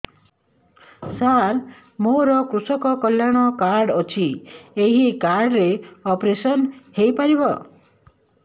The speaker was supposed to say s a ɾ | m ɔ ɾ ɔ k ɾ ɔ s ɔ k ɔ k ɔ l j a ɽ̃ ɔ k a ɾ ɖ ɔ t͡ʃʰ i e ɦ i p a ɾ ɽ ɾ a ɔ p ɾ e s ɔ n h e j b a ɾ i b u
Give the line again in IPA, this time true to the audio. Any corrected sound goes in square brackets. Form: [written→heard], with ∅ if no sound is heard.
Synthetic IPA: s a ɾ | m [ɔ→o] ɾ ɔ k ɾ [ɔ→u] s ɔ k ɔ k ɔ l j a ɽ̃ ɔ k a ɾ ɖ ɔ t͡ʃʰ i e ɦ i [p→k] a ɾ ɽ ɾ [a→e] ɔ p ɾ e s ɔ n h e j [b→p] a ɾ i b [u→ɔ]